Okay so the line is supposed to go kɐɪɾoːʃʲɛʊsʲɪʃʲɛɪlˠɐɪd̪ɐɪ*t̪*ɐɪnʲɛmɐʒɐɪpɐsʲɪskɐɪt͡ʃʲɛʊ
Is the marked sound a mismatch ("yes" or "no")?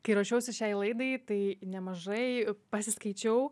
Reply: no